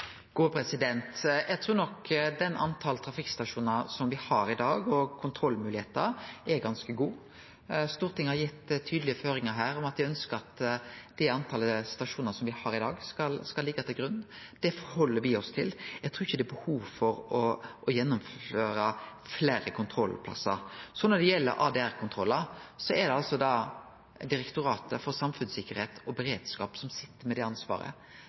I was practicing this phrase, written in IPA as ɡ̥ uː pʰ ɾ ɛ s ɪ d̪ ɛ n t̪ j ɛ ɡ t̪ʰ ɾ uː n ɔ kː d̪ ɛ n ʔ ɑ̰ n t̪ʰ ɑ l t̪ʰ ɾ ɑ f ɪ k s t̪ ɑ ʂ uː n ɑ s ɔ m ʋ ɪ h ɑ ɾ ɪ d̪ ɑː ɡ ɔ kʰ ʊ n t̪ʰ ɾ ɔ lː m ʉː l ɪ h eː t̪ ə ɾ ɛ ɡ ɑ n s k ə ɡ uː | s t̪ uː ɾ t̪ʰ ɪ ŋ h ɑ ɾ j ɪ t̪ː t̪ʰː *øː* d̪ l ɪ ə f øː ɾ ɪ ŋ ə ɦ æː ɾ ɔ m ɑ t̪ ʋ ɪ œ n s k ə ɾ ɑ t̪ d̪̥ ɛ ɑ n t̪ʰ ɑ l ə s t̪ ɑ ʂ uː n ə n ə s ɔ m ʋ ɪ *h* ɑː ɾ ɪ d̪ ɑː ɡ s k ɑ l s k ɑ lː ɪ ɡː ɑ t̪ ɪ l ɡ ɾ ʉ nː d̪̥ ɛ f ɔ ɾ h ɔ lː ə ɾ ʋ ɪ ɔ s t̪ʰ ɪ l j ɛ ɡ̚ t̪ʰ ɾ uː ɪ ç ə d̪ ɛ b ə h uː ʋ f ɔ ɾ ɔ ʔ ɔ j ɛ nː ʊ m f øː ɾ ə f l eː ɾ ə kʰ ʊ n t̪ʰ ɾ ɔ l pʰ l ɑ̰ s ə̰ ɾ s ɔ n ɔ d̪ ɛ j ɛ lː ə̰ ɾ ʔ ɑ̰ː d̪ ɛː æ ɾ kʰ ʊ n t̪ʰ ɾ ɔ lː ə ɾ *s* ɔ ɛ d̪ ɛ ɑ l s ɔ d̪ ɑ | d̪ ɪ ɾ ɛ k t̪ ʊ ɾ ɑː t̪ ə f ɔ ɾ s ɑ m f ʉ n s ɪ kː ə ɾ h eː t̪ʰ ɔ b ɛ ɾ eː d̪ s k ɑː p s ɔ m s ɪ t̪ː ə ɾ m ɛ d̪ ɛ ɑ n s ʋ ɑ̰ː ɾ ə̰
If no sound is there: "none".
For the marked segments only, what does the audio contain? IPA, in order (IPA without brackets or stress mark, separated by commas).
yː, h, s